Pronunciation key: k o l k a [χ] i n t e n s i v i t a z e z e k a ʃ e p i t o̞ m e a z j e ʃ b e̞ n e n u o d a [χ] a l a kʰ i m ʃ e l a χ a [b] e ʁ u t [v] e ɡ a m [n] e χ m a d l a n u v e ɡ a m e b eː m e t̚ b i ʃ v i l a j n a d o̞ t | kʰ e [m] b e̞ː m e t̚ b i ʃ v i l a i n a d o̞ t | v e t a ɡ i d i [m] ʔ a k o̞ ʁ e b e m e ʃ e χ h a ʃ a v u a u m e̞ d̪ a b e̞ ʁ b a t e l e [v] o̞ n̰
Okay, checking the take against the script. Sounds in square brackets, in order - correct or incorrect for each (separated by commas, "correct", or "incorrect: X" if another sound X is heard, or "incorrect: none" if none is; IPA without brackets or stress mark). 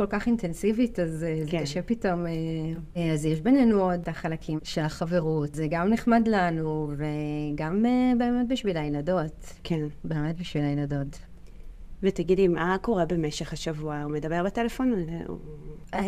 correct, correct, incorrect: v, incorrect: z, correct, incorrect: n, correct, incorrect: f